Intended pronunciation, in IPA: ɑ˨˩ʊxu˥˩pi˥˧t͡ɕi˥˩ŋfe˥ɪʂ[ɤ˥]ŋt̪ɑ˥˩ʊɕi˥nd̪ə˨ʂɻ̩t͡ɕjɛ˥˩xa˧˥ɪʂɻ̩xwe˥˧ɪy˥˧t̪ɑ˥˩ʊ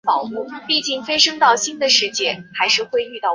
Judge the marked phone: correct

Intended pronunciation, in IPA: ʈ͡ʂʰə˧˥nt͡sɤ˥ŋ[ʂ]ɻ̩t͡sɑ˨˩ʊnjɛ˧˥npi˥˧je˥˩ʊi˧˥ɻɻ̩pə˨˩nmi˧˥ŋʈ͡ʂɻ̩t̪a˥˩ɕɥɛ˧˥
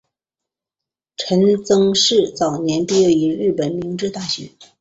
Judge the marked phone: correct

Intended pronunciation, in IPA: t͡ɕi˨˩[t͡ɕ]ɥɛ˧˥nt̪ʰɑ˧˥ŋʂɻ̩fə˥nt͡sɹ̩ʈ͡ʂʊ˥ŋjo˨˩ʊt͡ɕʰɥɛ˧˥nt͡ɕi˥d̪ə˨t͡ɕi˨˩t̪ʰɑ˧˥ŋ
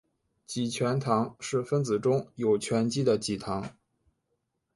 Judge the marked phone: incorrect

